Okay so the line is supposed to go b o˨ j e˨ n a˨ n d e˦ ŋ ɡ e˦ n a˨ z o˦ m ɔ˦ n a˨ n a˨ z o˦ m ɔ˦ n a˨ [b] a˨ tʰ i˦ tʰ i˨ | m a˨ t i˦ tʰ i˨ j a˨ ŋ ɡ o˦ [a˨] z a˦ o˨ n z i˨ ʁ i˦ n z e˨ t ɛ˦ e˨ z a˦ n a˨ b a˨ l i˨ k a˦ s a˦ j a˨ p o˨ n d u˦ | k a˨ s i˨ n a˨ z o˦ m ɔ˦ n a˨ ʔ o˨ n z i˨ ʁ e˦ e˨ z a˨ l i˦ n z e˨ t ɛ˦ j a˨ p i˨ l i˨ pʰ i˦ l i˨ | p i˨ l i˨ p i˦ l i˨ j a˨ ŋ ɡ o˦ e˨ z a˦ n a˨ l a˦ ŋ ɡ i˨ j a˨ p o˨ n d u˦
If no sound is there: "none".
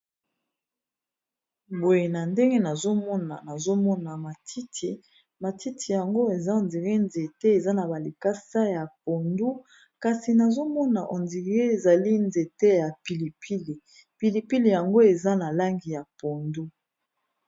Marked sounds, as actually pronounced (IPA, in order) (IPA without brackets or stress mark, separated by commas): m, e˨